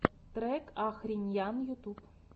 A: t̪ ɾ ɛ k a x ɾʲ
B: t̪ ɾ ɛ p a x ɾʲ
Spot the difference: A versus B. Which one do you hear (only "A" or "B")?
A